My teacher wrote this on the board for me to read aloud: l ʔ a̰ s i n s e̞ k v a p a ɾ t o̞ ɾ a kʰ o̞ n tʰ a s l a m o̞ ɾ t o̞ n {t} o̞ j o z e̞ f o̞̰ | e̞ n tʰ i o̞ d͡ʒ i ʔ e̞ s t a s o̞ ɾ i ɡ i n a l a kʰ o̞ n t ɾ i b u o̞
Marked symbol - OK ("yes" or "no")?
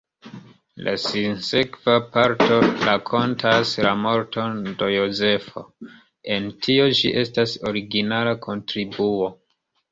no